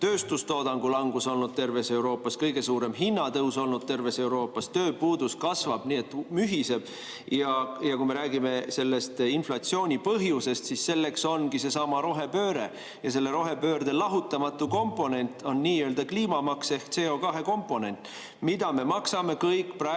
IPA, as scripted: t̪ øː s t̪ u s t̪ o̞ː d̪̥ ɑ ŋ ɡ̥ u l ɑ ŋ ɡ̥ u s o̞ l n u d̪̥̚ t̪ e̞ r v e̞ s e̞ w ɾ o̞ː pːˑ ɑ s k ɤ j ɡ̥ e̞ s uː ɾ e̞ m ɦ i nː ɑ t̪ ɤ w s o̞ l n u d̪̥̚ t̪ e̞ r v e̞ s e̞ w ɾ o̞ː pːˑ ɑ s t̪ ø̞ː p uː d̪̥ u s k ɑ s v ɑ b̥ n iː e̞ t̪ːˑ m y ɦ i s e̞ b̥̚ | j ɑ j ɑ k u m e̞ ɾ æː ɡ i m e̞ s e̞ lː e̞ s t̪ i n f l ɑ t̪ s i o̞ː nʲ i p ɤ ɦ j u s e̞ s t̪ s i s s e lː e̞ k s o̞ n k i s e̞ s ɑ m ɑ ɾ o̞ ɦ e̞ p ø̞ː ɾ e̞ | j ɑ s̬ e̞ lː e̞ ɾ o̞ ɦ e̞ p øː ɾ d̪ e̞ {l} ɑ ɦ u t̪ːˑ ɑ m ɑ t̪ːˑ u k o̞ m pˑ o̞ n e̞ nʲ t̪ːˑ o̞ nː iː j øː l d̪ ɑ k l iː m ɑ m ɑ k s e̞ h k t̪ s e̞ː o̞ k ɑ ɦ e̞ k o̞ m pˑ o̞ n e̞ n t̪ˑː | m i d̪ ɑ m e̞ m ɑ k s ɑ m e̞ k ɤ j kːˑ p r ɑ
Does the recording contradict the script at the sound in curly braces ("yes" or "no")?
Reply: no